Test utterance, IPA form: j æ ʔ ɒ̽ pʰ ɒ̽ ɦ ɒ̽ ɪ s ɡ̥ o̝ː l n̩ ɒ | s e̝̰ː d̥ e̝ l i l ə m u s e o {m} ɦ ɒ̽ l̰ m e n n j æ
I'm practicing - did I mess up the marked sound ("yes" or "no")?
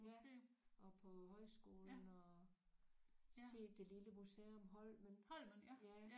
no